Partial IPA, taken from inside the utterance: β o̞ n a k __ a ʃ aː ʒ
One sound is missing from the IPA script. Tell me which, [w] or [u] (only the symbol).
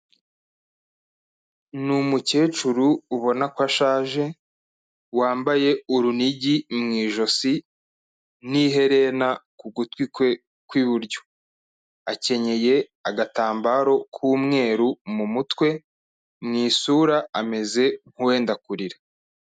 w